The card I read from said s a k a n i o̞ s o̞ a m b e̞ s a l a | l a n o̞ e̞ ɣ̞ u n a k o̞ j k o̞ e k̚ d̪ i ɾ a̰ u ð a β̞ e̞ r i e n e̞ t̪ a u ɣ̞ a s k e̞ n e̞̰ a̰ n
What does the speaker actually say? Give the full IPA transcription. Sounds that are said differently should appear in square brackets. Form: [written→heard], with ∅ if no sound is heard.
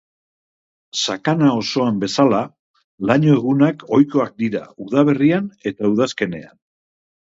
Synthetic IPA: s a k a n [i→a] o̞ s o̞ a m b e̞ s a l a | l a [n→ɲ] o̞ e̞ ɣ̞ u n a k o̞ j k o̞ [e→a] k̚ d̪ i ɾ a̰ u ð a β̞ e̞ r i [e→a] n e̞ t̪ a u [ɣ̞→ð̞] a s k e̞ n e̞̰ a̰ n

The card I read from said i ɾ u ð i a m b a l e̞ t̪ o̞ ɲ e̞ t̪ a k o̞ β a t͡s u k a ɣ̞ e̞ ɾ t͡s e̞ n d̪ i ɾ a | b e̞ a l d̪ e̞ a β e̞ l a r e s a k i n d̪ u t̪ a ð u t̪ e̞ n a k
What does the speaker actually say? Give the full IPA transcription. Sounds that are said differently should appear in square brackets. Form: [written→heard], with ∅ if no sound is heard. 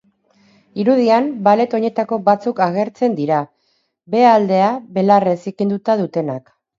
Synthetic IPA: i ɾ u ð i a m b a l e̞ t̪ o̞ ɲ e̞ t̪ a k o̞ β a t͡s u k a ɣ̞ e̞ ɾ t͡s e̞ n d̪ i ɾ a | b e̞ a l d̪ e̞ a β e̞ l a r e s [a→i] k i n d̪ u t̪ a ð u t̪ e̞ n a k

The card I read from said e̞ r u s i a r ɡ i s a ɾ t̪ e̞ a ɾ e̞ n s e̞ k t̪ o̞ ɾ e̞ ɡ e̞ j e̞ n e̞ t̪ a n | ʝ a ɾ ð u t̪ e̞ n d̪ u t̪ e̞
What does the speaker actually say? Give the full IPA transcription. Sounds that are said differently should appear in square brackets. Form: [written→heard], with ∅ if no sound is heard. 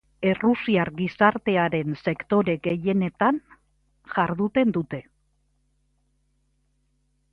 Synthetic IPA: e̞ r u s i a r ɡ i s a ɾ t̪ e̞ a ɾ e̞ n s e̞ k t̪ o̞ ɾ e̞ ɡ e̞ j e̞ n e̞ t̪ a n | ʝ a ɾ ð u t̪ e̞ n d̪ u t̪ e̞

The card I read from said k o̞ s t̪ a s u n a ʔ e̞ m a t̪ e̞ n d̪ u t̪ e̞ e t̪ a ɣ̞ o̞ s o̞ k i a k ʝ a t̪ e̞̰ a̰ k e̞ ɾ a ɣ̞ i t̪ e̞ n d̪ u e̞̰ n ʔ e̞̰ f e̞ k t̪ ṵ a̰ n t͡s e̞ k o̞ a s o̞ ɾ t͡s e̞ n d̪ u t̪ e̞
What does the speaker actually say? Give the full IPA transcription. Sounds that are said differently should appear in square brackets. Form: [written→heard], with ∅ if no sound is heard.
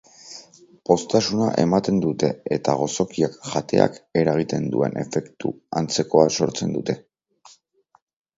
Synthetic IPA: [k→p] o̞ s t̪ a s u n a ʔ e̞ m a t̪ e̞ n d̪ u t̪ e̞ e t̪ a ɣ̞ o̞ s o̞ k i a k ʝ a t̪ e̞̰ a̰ k e̞ ɾ a ɣ̞ i t̪ e̞ n d̪ u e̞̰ n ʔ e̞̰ f e̞ k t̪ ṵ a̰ n t͡s e̞ k o̞ a s o̞ ɾ t͡s e̞ n d̪ u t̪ e̞

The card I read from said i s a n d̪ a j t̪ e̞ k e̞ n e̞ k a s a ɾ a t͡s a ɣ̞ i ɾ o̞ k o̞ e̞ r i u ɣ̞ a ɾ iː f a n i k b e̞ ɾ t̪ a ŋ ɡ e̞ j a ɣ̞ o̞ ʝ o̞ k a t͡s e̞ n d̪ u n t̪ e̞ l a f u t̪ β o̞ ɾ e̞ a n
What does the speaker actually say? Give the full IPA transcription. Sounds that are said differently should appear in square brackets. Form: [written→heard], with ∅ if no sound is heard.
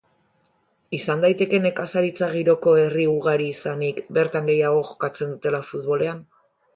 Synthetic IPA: i s a n d̪ a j t̪ e̞ k e̞ n e̞ k a s a ɾ [a→i] t͡s a ɣ̞ i ɾ o̞ k o̞ e̞ r i u ɣ̞ a ɾ iː [f→s] a n i k b e̞ ɾ t̪ a ŋ ɡ e̞ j a ɣ̞ o̞ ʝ o̞ k a t͡s e̞ n d̪ u [n→∅] t̪ e̞ l a f u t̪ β o̞ [ɾ→l] e̞ a n

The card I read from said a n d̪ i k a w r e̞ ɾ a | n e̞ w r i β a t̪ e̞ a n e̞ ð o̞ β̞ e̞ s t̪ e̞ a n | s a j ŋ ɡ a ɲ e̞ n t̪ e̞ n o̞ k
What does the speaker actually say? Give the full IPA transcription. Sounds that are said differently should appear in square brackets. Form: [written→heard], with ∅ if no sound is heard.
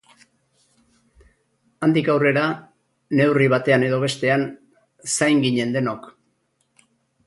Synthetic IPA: a n d̪ i k a w r e̞ ɾ a | n e̞ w r i β a t̪ e̞ a n e̞ ð o̞ β̞ e̞ s t̪ e̞ a n | s a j ŋ ɡ [a→i] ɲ e̞ n [t̪→d̪] e̞ n o̞ k

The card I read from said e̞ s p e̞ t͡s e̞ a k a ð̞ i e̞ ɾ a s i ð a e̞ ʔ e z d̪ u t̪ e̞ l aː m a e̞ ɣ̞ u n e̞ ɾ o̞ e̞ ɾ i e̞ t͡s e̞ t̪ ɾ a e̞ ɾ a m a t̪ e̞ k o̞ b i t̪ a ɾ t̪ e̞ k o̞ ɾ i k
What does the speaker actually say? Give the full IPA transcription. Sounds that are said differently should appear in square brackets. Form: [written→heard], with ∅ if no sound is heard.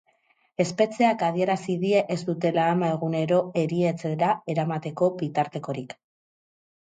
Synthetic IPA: e̞ s p e̞ t͡s e̞ a k a ð̞ i e̞ ɾ a s i ð [a→i] e̞ ʔ e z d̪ u t̪ e̞ l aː m a e̞ ɣ̞ u n e̞ ɾ o̞ e̞ ɾ i e̞ t͡s e̞ [t̪→∅] ɾ a e̞ ɾ a m a t̪ e̞ k o̞ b i t̪ a ɾ t̪ e̞ k o̞ ɾ i k

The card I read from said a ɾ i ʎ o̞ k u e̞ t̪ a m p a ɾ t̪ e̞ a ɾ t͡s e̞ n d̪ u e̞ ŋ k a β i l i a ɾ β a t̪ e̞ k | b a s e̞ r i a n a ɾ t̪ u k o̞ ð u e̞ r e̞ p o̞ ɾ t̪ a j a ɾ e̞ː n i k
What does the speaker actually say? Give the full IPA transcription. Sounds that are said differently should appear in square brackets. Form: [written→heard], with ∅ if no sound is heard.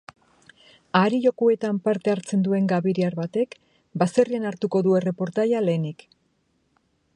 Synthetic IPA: a ɾ i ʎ o̞ k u e̞ t̪ a m p a ɾ t̪ e̞ a ɾ t͡s e̞ n d̪ u e̞ ŋ [k→ɡ] a β i [l→ɾ] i a ɾ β a t̪ e̞ k | b a s e̞ r i a n a ɾ t̪ u k o̞ ð u e̞ r e̞ p o̞ ɾ t̪ a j a [ɾ→l] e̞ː n i k

